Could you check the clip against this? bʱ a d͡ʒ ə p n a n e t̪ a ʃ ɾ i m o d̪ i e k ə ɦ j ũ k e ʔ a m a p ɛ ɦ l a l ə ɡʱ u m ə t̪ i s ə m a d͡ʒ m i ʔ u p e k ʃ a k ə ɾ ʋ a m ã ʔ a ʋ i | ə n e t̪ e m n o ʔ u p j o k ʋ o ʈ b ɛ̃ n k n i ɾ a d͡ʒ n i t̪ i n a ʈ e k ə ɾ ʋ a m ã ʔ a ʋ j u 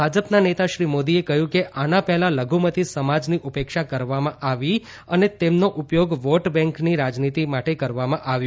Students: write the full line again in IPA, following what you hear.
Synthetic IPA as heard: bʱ a d͡ʒ ə p n a n e t̪ a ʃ ɾ i m o d̪ i e k ə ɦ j ũ k e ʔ a n a p ɛ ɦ l a l ə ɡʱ u m ə t̪ i s ə m a d͡ʒ n i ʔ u p e k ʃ a k ə ɾ ʋ a m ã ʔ a ʋ i | ə n e t̪ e m n o ʔ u p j o ɡ ʋ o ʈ b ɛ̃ ŋ k n i ɾ a d͡ʒ n i t̪ i m a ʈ e k ə ɾ ʋ a m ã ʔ a ʋ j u